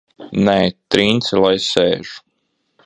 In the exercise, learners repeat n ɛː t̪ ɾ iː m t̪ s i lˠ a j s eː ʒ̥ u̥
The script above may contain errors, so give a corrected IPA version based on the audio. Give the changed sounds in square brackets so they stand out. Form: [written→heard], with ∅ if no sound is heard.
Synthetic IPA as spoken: n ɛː t̪ ɾ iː [m→n] t̪ s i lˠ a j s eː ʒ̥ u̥